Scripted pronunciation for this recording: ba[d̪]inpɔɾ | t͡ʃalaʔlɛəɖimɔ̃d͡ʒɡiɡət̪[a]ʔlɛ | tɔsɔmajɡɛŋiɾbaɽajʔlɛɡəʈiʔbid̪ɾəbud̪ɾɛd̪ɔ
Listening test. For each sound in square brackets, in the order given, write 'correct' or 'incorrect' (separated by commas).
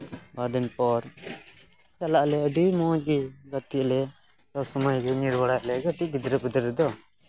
correct, incorrect